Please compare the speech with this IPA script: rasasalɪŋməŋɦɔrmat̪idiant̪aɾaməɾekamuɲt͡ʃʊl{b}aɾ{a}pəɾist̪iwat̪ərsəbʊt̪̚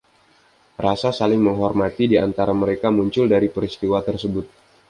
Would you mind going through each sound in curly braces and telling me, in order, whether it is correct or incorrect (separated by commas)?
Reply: incorrect, incorrect